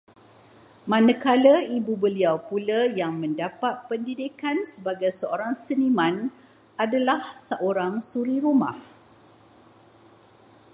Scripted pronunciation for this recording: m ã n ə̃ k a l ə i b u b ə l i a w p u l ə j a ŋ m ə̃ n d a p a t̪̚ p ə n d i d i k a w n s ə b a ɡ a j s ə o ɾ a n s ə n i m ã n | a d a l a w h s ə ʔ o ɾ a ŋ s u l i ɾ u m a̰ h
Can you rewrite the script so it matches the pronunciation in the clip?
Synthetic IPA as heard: m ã n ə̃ k a l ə i b u b ə l i a w p u l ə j a ŋ m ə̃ n d a p a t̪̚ p ə n d i d i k a n s ə b a ɡ a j s ə o ɾ a ŋ s ə n i m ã n | a d a l a h s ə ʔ o ɾ a ŋ s u ɾ i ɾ u m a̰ h